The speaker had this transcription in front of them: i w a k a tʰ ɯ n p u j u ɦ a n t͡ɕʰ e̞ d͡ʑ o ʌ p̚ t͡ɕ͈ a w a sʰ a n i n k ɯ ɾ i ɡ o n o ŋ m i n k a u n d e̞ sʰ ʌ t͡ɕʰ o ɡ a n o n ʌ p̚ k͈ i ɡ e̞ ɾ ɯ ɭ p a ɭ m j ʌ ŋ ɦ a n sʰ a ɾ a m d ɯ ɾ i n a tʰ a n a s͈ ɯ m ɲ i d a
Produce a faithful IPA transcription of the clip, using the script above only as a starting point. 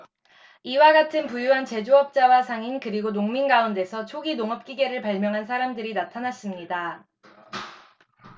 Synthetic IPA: i w a ɡ a tʰ ɯ n p u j u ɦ a n t͡ɕ e̞ d͡ʑ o ʌ p̚ t͡ɕ͈ a w a sʰ a ŋ i n k ɯ ɾ i ɡ o n o ŋ m i n ɡ a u n d e̞ sʰ ʌ t͡ɕʰ o ɡ i n o ŋ ʌ p̚ k͈ i ɡ e̞ ɾ ɯ ɭ p a ɭ m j ʌ ŋ ɦ a n sʰ a ɾ a m d ɯ ɾ i n a tʰ a n a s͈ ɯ m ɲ i d a

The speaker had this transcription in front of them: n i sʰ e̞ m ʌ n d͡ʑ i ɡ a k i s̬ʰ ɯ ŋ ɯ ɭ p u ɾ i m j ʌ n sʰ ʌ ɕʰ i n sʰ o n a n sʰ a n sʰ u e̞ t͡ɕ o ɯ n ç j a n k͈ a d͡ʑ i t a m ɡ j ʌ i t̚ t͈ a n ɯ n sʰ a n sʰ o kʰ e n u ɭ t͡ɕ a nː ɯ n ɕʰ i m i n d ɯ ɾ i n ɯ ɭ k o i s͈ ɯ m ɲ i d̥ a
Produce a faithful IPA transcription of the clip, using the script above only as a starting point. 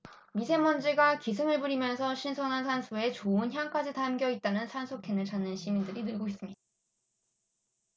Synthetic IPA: m i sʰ e̞ m ʌ n d͡ʑ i ɡ a k i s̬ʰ ɯ ŋ ɯ ɭ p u ɾ i m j ʌ n sʰ ʌ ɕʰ i n sʰ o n a n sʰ a n sʰ u e̞ t͡ɕ o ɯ n ç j a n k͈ a d͡ʑ i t a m ɡ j ʌ i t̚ t͈ a n ɯ n sʰ a n sʰ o kʰ e n ɯ ɭ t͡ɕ a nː ɯ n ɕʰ i m i n d ɯ ɾ i n ɯ ɭ ɡ o i s͈ ɯ m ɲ i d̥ a

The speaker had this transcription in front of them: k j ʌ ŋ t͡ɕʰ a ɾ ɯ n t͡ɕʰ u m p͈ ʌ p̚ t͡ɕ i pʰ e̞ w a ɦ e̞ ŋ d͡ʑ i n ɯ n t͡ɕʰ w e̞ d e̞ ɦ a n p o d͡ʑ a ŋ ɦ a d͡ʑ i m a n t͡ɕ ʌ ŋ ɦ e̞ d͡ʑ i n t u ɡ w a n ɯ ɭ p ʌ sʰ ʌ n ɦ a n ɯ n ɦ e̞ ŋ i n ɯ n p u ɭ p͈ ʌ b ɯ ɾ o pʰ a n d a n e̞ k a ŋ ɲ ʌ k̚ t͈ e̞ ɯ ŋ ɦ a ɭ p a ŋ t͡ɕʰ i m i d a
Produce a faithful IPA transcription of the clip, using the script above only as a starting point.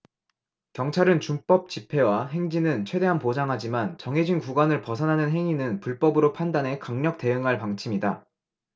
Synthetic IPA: k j ʌ ŋ t͡ɕʰ a ɾ ɯ n t͡ɕ u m p͈ ʌ p̚ t͡ɕ i pʰ e̞ w a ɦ e̞ ŋ d͡ʑ i n ɯ n t͡ɕʰ w e̞ d e̞ ɦ a n p o d͡ʑ a ŋ ɦ a d͡ʑ i m a n t͡ɕ ʌ ŋ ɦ e̞ d͡ʑ i n k u ɡ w a n ɯ ɭ p ʌ sʰ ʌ n ɦ a n ɯ n ɦ e̞ ŋ i n ɯ n p u ɭ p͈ ʌ b ɯ ɾ o pʰ a n d a n e̞ k a ŋ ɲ ʌ k̚ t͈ e̞ ɯ ŋ ɦ a ɭ p a ŋ t͡ɕʰ i m i d a

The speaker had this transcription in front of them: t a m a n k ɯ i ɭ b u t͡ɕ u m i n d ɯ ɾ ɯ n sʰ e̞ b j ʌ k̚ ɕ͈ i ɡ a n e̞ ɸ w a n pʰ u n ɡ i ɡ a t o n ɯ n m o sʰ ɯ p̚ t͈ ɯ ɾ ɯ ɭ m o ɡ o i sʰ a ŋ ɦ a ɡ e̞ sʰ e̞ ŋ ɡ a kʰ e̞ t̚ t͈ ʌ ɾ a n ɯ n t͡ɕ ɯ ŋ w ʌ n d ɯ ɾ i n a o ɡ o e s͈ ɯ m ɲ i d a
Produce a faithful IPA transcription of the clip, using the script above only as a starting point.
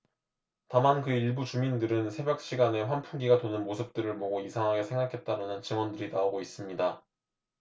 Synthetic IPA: t a m a n k ɯ i ɭ b u t͡ɕ u m i n d ɯ ɾ ɯ n sʰ e̞ b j ʌ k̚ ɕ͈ i ɡ a n e̞ ɸ w a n pʰ u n ɡ i ɡ a t o n ɯ n m o sʰ ɯ p̚ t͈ ɯ ɾ ɯ ɭ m o ɡ o i sʰ a ŋ ɦ a ɡ e̞ sʰ e̞ ŋ ɡ a kʰ e̞ t̚ t͈ a ɾ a n ɯ n t͡ɕ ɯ ŋ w ʌ n d ɯ ɾ i n a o ɡ o i s͈ ɯ m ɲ i d a

